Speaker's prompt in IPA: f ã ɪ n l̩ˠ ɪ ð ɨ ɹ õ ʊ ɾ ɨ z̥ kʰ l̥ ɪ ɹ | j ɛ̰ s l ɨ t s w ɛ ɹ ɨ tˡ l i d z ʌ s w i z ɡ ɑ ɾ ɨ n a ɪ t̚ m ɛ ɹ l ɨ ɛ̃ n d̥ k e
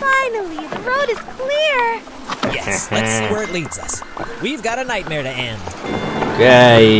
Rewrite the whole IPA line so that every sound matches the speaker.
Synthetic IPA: f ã ɪ n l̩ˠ i ð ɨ ɹ o ʊ ɾ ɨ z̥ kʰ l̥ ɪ ɹ | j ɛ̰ s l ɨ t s w ɛ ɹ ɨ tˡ l i d z ʌ s w i v ɡ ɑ ɾ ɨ n a ɪ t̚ m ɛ ɹ ɾ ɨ ɛ̃ n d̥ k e